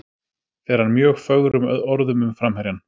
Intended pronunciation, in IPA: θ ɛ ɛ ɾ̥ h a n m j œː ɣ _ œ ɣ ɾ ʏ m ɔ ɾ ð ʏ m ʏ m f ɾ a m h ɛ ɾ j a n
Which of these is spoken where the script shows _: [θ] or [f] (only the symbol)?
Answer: f